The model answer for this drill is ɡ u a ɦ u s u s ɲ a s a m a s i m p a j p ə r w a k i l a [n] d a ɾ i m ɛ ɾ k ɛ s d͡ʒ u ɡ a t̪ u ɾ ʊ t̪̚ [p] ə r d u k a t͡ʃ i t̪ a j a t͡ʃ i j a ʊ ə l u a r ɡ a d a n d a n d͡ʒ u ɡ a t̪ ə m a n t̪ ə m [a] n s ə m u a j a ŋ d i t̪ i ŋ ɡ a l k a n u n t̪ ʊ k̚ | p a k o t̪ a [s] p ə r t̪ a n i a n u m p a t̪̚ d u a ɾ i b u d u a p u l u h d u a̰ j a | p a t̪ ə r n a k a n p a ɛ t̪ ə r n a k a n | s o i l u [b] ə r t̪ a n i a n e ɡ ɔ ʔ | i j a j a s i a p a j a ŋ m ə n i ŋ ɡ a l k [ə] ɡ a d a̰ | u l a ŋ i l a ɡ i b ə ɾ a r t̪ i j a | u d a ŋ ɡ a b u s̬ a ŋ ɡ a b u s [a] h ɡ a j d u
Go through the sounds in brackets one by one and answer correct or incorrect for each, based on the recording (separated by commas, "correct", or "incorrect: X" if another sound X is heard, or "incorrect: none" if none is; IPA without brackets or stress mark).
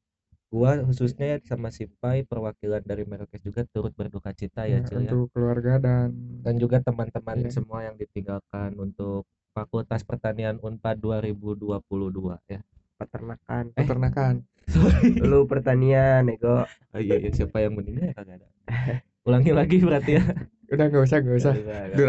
correct, incorrect: b, correct, correct, incorrect: p, incorrect: a, correct